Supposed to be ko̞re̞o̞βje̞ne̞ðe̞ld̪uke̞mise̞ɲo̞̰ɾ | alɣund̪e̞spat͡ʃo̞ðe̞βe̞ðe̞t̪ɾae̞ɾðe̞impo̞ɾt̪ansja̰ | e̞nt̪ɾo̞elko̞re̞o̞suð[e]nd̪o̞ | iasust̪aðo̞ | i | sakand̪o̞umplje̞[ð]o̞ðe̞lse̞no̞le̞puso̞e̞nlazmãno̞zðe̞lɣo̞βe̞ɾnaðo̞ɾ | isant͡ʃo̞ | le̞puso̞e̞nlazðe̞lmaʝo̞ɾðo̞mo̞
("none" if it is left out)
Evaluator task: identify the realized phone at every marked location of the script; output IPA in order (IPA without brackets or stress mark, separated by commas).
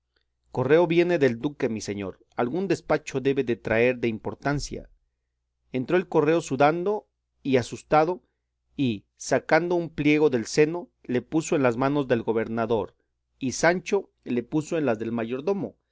a, ɣ